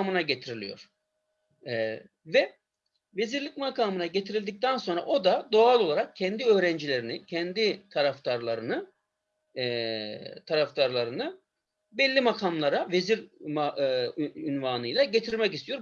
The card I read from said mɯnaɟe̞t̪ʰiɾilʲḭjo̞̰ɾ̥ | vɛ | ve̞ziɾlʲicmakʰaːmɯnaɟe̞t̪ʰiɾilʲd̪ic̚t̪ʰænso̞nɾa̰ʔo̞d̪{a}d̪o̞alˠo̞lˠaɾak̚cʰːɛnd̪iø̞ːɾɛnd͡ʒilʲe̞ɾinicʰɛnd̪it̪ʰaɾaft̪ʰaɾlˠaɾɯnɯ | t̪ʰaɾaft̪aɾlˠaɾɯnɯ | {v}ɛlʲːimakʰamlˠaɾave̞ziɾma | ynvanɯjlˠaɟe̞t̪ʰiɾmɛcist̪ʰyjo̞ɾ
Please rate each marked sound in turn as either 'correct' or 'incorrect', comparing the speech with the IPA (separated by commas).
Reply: correct, incorrect